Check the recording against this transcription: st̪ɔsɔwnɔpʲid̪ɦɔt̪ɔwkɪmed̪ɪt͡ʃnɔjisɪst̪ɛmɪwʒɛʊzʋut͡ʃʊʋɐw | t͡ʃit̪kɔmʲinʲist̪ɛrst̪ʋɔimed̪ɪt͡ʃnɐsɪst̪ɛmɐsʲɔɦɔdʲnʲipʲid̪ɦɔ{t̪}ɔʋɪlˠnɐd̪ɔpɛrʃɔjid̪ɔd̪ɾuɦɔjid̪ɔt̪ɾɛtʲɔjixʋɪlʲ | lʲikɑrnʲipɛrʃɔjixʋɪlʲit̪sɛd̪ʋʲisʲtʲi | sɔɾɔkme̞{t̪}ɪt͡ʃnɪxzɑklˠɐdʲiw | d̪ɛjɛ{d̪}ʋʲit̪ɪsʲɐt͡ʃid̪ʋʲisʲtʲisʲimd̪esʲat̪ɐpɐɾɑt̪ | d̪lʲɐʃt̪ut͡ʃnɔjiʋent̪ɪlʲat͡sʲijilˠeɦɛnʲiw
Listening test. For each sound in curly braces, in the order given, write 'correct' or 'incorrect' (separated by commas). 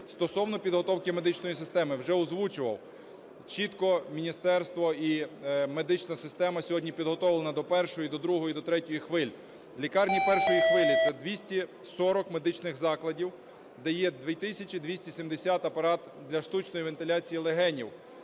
correct, incorrect, correct